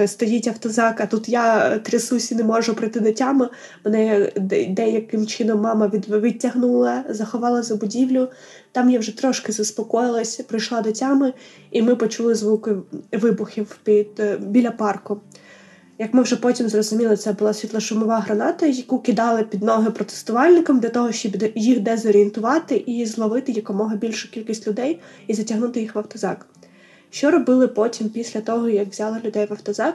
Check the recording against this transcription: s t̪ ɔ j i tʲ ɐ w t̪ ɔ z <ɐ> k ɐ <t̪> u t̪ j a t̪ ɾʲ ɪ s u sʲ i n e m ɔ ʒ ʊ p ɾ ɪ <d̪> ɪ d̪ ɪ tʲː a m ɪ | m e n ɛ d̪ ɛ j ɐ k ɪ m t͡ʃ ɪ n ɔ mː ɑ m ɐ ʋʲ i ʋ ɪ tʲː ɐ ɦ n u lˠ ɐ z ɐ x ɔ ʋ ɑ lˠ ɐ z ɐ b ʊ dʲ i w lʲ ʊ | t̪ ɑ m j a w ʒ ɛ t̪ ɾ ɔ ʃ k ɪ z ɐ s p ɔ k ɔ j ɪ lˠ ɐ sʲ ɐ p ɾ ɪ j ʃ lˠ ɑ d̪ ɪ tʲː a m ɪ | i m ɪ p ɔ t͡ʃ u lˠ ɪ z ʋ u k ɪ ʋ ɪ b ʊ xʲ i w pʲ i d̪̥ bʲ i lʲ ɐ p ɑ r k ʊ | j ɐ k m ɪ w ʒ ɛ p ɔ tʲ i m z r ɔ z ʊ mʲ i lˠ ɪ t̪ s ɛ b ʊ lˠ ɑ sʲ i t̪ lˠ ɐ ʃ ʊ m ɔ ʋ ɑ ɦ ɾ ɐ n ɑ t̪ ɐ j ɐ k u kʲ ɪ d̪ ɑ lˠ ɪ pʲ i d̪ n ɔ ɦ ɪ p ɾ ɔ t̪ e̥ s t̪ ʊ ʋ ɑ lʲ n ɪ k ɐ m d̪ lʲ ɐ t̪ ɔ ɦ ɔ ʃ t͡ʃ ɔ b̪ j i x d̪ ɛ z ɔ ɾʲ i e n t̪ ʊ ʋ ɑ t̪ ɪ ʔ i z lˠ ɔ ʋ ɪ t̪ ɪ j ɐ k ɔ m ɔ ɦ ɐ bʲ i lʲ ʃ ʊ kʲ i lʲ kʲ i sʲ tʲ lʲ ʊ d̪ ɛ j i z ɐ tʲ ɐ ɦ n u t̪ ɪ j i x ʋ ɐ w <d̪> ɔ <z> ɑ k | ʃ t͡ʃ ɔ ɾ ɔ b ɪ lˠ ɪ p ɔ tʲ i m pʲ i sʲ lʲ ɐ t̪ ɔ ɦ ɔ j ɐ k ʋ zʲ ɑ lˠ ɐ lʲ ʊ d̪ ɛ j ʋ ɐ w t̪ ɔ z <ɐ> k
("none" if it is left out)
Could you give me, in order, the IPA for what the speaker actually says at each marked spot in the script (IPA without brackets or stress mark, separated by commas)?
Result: ɑ, t̪, t̪, t̪, z, ɑ